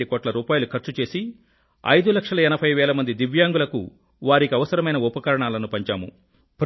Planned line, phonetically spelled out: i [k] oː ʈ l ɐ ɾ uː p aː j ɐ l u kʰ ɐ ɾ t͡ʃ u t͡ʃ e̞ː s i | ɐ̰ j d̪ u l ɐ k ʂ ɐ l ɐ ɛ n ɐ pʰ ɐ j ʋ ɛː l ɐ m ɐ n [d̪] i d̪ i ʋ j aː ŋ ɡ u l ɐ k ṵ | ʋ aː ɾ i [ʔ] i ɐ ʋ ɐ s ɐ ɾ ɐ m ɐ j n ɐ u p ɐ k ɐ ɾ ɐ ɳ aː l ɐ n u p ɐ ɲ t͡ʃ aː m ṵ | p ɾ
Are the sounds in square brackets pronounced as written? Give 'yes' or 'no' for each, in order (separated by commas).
yes, yes, no